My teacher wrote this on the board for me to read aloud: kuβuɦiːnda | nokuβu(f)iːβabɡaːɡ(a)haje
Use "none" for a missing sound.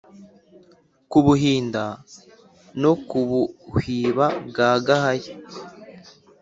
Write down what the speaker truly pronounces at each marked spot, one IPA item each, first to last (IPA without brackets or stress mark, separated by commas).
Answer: h, a